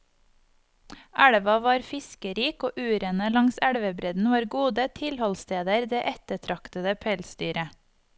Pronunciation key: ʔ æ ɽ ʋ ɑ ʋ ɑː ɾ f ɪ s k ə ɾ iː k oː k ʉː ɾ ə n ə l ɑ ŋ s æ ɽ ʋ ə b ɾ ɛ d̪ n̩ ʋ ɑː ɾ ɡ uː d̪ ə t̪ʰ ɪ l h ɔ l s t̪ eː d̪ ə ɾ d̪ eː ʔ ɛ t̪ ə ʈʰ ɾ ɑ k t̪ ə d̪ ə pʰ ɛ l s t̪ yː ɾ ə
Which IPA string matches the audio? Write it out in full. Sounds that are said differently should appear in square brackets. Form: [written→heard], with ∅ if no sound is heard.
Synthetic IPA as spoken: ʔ æ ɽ ʋ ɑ ʋ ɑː ɾ f ɪ s k ə ɾ iː k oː [k→ʔ] ʉː ɾ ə n ə l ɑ ŋ s æ ɽ ʋ ə b ɾ ɛ d̪ n̩ ʋ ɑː ɾ ɡ uː d̪ ə t̪ʰ ɪ l h ɔ l s t̪ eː d̪ ə ɾ d̪ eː ʔ ɛ t̪ ə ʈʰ ɾ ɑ k t̪ ə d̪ ə pʰ ɛ l s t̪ yː ɾ ə